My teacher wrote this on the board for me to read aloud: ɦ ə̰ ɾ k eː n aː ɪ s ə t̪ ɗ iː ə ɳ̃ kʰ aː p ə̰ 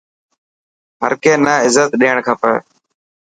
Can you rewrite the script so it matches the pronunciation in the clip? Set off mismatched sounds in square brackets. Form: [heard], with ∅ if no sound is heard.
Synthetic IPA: ɦ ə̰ ɾ k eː n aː ɪ [z] ə t̪ ɗ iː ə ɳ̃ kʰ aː p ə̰